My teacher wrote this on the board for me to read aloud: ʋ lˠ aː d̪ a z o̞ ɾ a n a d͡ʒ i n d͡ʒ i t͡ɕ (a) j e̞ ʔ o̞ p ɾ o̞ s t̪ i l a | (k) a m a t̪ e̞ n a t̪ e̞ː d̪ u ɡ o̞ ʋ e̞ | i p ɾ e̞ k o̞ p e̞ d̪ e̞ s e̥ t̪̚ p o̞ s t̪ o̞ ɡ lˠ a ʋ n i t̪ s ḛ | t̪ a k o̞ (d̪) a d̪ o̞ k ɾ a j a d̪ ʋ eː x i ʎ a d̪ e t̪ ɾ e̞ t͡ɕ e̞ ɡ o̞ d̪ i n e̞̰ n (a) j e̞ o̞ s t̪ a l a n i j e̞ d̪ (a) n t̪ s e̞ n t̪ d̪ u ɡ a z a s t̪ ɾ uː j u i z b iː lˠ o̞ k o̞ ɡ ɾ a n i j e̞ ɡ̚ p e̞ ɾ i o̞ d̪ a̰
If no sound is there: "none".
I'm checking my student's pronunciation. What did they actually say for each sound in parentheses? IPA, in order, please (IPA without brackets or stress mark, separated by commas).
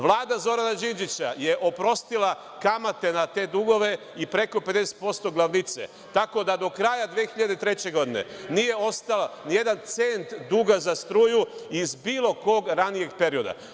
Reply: a, k, d̪, i, a